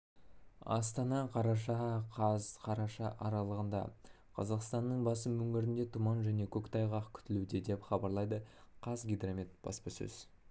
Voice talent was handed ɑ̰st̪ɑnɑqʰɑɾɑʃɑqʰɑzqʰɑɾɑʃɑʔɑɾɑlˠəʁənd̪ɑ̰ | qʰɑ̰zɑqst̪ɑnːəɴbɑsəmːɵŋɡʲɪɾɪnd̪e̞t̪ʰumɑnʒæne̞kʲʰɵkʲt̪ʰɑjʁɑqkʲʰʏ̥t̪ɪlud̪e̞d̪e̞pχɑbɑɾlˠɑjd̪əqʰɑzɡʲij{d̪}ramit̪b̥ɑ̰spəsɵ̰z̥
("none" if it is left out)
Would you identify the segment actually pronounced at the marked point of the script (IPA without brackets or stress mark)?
d̪